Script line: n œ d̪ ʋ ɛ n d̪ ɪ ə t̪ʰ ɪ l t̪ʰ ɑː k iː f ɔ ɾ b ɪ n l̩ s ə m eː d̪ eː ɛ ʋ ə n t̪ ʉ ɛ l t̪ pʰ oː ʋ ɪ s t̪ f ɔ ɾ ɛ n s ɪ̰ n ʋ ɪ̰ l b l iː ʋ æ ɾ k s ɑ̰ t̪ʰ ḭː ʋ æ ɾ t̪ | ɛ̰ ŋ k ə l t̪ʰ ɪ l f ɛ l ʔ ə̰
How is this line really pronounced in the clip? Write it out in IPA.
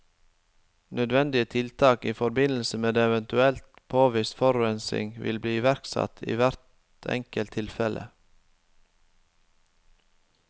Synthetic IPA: n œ d̪ ʋ ɛ n d̪ ɪ ə t̪ʰ ɪ l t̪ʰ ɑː k iː f ɔ ɾ b ɪ n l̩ s ə m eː d̪ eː ɛ ʋ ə n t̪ ʉ ɛ l t̪ pʰ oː ʋ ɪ s t̪ f ɔ ɾ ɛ n s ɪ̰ ŋ ʋ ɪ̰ l b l iː ʋ æ ɾ k s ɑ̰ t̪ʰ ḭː ʋ æ ɾ t̪ | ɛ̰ ŋ k ə l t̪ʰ ɪ l f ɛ l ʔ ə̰